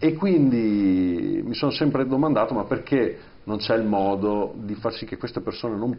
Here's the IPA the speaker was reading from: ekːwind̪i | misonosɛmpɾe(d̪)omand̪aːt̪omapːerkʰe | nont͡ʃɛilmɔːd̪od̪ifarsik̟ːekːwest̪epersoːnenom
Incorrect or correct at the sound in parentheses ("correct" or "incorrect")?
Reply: correct